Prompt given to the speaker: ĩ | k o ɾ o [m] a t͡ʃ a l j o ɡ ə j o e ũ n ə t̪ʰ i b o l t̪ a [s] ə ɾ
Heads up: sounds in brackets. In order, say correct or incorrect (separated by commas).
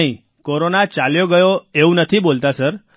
incorrect, correct